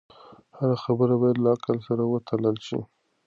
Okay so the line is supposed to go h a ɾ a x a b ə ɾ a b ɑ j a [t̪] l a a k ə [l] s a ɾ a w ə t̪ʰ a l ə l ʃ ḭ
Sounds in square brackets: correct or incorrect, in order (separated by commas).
incorrect, correct